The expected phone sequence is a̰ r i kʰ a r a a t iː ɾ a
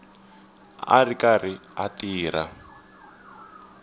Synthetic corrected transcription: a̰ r i k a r i a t iː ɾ a